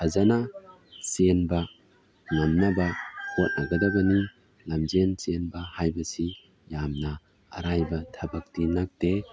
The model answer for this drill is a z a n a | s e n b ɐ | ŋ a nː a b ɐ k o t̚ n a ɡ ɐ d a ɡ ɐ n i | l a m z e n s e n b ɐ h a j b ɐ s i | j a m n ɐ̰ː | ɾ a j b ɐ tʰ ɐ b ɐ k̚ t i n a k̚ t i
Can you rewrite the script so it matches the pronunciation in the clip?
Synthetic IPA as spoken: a z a n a | s e n b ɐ | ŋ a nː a b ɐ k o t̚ n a ɡ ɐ d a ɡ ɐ n i | l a m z e n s e n b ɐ h a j b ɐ s i | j a m n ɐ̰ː | ɾ a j b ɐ tʰ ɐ b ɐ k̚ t i n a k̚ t e